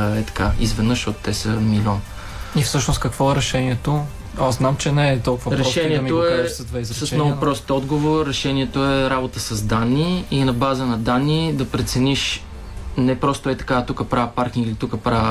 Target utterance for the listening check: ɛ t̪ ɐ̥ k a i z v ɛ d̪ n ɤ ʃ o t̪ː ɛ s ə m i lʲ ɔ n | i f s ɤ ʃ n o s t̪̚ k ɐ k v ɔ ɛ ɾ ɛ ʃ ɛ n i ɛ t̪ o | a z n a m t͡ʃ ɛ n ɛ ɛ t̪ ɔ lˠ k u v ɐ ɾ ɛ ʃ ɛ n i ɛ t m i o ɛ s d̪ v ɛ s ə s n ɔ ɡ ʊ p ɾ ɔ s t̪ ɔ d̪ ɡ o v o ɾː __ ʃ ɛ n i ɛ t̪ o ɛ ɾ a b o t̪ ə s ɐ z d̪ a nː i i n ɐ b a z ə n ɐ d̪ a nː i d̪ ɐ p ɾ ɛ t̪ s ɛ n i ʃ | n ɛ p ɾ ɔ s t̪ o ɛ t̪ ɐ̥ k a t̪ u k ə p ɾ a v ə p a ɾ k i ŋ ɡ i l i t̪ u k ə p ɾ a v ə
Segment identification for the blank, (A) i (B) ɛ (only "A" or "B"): B